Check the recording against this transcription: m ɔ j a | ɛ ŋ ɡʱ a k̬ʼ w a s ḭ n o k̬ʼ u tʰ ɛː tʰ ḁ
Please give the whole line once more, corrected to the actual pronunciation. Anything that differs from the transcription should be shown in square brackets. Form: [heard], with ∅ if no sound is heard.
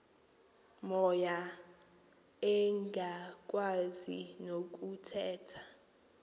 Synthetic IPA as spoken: m ɔ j a | ɛ ŋ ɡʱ a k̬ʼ w a [z] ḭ n o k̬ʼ u tʰ ɛː tʰ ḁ